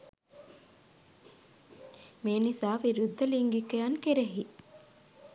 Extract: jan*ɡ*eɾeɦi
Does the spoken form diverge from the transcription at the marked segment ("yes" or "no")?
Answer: yes